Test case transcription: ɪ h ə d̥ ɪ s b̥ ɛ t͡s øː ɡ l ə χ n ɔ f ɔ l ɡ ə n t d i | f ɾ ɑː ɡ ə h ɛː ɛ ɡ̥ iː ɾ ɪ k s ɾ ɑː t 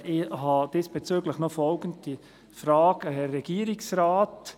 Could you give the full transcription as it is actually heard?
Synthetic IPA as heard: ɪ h ɑ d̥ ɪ s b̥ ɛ t͡s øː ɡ l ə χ n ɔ f ɔ l ɡ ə n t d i | f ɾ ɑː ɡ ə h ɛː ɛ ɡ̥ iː ɾ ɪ k s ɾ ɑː t